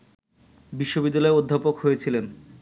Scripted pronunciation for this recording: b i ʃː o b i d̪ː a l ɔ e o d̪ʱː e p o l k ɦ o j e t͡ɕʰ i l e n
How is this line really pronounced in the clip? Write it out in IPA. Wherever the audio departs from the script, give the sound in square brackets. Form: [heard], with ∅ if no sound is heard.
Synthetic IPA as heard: b i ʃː o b i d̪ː a l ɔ e o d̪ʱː [a] p o [∅] k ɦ o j e t͡ɕʰ i l e n